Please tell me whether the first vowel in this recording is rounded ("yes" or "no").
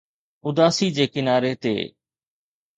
yes